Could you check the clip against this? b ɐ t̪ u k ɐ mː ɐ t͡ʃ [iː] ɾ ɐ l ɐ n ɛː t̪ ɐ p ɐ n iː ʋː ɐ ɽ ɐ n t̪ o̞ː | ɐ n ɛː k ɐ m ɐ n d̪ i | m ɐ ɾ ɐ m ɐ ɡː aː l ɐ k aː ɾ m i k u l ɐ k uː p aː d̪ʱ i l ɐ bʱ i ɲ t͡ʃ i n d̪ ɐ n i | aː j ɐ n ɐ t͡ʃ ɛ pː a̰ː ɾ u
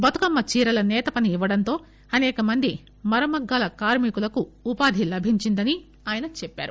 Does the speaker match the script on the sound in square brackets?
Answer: yes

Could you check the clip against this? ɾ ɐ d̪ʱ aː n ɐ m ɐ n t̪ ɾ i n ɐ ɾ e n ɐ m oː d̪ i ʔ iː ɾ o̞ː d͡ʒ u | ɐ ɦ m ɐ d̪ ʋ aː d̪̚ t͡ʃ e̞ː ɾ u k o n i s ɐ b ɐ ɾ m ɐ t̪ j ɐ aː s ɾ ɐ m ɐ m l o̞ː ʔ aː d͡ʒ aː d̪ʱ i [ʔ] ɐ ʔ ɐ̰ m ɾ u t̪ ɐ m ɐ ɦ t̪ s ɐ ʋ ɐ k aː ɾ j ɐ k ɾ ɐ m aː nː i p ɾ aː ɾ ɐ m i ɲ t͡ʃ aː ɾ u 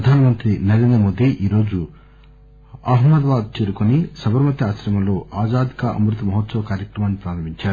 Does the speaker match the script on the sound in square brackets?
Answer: no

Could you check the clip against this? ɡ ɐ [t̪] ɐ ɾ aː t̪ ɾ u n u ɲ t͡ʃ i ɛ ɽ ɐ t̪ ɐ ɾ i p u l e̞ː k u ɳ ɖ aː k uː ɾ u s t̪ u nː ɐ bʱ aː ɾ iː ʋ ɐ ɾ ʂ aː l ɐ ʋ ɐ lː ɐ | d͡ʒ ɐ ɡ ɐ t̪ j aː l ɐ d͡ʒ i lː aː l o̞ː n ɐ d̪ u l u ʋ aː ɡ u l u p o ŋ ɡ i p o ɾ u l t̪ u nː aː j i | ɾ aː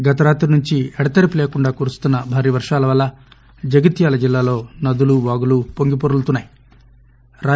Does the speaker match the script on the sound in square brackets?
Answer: yes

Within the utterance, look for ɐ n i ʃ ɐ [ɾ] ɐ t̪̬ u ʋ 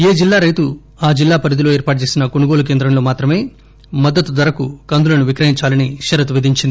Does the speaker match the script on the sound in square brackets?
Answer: yes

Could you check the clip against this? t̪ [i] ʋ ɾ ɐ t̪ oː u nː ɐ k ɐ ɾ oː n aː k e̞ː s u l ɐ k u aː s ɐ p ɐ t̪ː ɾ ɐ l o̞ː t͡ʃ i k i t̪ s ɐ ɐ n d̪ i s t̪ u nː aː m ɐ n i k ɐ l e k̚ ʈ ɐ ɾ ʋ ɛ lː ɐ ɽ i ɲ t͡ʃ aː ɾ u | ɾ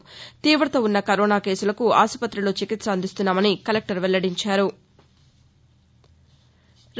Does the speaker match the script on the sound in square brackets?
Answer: no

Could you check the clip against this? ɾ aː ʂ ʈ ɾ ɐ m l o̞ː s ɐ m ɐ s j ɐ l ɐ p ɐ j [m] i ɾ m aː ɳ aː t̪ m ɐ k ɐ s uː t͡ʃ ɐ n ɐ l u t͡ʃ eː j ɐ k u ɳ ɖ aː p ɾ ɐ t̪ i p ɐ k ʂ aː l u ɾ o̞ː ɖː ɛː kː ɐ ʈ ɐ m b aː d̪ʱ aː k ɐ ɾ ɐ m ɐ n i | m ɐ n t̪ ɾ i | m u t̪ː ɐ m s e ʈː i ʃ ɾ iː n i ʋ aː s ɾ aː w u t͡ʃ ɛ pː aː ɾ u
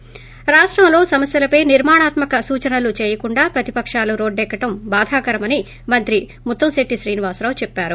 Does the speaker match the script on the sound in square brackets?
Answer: no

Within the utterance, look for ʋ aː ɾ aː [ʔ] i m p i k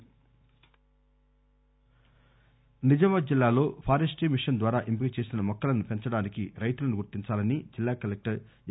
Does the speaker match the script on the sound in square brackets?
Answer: yes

